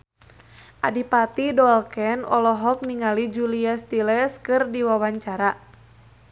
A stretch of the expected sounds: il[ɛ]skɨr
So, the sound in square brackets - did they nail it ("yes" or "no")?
yes